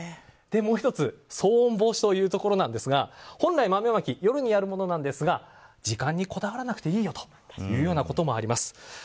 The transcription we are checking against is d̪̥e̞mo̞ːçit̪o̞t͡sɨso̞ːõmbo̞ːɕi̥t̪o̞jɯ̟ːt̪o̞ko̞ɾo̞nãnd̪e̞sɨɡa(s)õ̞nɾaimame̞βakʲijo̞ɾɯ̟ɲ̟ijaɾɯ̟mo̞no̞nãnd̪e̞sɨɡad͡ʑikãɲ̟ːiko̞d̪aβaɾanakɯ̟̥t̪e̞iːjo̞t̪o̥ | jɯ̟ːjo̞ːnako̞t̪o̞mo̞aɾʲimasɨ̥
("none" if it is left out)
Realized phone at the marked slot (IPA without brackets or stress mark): h